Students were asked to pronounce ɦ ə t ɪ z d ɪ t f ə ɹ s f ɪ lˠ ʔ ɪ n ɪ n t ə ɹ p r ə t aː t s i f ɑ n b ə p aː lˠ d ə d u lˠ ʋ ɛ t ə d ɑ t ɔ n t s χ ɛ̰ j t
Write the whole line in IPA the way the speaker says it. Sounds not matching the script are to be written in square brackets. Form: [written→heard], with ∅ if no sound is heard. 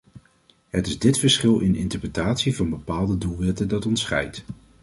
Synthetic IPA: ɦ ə t ɪ z d ɪ t f ə ɹ s [f→χ] ɪ lˠ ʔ ɪ n ɪ n t ə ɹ p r ə t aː t s i [f→v] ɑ n b ə p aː lˠ d ə d u lˠ ʋ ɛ t ə d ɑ t ɔ n t s χ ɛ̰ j t